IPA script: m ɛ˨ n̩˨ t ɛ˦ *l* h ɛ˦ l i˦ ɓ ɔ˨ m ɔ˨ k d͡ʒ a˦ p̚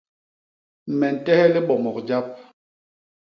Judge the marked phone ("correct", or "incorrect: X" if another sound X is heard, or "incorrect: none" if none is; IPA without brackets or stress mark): incorrect: none